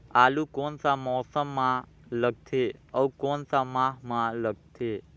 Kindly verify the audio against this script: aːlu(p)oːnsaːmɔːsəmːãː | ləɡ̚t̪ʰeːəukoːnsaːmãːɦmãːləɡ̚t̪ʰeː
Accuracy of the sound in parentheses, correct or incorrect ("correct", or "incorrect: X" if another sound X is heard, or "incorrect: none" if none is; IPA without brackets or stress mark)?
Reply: incorrect: k